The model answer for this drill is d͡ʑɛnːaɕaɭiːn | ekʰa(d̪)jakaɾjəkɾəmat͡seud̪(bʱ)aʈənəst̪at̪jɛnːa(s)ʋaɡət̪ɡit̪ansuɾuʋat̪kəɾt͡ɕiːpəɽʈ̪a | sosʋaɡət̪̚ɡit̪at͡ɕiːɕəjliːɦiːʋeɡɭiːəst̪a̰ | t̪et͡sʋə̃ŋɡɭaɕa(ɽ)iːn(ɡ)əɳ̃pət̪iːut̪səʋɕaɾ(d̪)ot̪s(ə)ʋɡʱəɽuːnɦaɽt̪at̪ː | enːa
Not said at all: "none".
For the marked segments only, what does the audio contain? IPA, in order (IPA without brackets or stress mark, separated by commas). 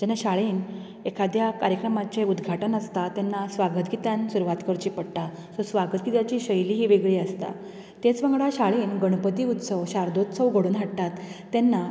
d̪, ɡʱ, s, ɭ, ɡ, d̪, ə